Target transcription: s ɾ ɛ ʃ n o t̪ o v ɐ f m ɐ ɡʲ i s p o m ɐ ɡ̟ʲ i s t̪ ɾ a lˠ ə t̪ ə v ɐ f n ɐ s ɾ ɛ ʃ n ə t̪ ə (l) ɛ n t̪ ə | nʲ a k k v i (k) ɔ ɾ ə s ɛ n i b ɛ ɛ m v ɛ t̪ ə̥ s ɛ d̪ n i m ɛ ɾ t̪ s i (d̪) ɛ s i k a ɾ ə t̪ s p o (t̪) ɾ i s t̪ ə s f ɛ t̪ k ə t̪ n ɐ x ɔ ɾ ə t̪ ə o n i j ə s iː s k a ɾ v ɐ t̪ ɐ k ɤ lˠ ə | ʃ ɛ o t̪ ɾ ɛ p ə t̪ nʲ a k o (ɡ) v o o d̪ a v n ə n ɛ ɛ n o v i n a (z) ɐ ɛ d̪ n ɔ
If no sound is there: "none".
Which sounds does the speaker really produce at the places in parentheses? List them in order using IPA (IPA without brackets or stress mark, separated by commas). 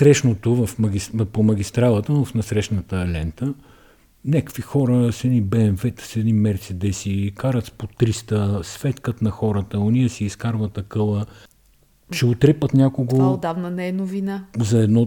l, x, d̪, t̪, ɡ, z